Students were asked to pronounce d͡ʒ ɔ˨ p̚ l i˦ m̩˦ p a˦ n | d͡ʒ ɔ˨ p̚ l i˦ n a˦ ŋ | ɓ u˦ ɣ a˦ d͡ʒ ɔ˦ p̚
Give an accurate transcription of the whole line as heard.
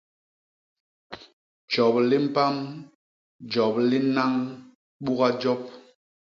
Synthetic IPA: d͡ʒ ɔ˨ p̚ l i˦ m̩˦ p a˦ m | d͡ʒ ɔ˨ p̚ l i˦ n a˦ ŋ | ɓ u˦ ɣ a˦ d͡ʒ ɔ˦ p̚